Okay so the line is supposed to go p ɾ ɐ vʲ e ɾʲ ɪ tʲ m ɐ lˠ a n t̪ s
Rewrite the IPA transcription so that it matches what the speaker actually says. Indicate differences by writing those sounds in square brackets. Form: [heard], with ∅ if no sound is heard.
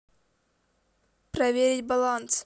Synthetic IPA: p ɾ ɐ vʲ e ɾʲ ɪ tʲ [b] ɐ lˠ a n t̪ s

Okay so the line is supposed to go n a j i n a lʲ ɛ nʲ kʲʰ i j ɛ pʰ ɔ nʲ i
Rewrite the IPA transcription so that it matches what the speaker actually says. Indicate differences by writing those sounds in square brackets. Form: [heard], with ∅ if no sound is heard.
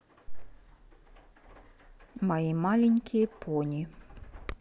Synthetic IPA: [m] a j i [m] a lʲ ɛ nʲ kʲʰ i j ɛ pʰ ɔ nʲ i

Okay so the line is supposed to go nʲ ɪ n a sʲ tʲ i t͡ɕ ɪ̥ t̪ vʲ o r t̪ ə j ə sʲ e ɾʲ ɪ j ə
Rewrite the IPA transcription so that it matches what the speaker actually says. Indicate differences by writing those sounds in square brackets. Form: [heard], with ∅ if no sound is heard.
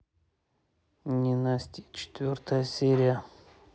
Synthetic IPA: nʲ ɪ n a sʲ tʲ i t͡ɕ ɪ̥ t̪ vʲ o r t̪ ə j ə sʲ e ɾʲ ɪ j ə

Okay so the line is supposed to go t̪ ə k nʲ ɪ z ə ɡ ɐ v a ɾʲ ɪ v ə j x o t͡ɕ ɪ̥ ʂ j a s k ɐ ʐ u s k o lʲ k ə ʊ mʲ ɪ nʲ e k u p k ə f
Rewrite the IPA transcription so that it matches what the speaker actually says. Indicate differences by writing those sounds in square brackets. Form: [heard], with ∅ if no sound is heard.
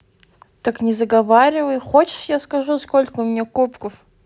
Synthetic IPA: t̪ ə k nʲ ɪ z ə ɡ ɐ v a ɾʲ ɪ v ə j x o t͡ɕ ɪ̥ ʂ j a s k ɐ ʐ u s k o lʲ k ə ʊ mʲ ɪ nʲ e k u p k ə f

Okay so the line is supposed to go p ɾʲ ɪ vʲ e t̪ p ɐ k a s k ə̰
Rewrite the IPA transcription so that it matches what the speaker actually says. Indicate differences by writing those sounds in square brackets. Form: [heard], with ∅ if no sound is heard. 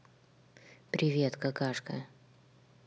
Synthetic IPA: p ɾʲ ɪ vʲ e t̪ [k] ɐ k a [ʂ] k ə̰

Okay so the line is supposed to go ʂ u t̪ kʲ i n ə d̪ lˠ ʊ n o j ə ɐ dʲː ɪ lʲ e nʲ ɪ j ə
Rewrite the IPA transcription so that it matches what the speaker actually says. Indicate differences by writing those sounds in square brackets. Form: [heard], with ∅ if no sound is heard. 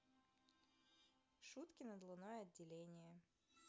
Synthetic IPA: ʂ u t̪ kʲ [ɪ] n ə d̪ lˠ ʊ n o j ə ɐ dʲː ɪ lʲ e nʲ ɪ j ə

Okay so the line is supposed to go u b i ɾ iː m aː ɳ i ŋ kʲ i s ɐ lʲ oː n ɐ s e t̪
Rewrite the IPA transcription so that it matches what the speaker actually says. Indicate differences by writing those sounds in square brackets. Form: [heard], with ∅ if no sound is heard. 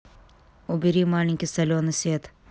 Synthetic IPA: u b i ɾ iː m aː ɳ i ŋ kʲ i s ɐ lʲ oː n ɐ s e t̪

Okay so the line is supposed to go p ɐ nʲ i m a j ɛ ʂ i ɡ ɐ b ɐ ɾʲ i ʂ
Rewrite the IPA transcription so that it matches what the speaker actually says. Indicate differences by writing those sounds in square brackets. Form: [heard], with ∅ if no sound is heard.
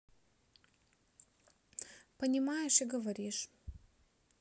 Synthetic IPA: p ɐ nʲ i m a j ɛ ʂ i ɡ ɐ [v] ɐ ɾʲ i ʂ

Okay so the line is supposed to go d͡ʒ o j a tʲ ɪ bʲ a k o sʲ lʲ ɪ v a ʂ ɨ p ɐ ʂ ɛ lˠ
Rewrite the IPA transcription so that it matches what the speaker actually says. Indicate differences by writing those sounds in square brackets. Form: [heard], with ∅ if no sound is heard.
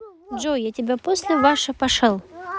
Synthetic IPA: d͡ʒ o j a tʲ ɪ bʲ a [p] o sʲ lʲ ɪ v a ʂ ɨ p ɐ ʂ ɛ lˠ

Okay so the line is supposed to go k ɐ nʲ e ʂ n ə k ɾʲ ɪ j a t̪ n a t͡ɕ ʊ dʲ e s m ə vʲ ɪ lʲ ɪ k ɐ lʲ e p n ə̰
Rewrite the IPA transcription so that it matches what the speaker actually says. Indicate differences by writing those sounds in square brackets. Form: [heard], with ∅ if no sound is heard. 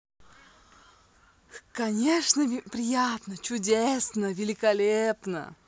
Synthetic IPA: k ɐ nʲ e ʂ n ə [p] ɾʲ ɪ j a t̪ n [ə] t͡ɕ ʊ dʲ e s [n] ə vʲ ɪ lʲ ɪ k ɐ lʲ e p n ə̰

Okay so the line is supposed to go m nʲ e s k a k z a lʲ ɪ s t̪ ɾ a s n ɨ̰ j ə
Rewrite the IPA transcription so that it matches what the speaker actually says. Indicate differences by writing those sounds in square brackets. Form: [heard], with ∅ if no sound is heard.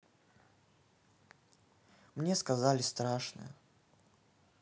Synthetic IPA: m nʲ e s k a [∅] z a lʲ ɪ s t̪ ɾ a [ʂ] n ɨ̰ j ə

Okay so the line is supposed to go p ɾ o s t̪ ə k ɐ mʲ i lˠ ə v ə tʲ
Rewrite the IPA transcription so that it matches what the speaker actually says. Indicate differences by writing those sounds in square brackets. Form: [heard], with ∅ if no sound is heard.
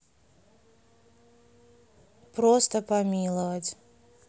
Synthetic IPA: p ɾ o s t̪ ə [p] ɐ mʲ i lˠ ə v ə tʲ

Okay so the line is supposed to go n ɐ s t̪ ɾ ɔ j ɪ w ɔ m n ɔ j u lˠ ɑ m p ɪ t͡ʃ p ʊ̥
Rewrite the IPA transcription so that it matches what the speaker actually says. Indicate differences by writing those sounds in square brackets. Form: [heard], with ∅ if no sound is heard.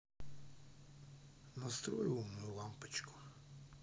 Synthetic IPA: n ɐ s t̪ ɾ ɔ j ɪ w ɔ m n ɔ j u lˠ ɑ m p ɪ t͡ʃ [k] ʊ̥

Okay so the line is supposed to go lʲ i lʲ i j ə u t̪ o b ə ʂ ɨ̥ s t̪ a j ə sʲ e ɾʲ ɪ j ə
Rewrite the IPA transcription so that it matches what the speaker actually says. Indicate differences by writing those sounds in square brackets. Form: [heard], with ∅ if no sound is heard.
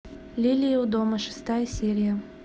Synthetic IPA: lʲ i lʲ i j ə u [d̪] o [m] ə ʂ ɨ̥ s t̪ a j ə sʲ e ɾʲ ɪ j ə

